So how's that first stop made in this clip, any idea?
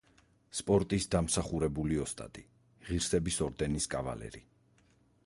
ejective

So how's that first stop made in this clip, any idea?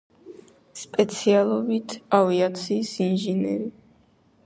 ejective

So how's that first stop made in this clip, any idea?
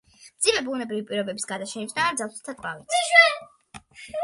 plain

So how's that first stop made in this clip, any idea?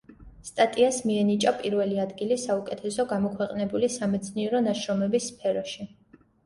ejective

